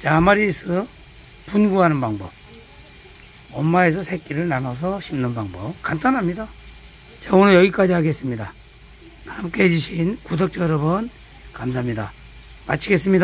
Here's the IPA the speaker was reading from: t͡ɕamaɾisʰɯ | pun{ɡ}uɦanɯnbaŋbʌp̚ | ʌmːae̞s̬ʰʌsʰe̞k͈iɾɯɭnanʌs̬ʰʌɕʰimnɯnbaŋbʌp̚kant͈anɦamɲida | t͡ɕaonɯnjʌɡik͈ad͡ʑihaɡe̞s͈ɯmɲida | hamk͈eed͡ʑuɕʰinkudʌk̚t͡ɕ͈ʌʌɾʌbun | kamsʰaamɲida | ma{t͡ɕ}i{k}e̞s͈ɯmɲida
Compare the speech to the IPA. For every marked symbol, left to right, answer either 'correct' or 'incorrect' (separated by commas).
correct, incorrect, incorrect